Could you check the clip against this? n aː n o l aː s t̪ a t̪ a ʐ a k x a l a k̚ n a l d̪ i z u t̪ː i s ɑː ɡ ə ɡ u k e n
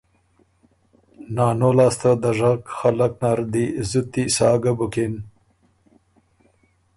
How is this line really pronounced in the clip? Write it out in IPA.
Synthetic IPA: n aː n o l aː s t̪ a d̪ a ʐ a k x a l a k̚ n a ɾ d̪ i z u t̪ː i s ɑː ɡ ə b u k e n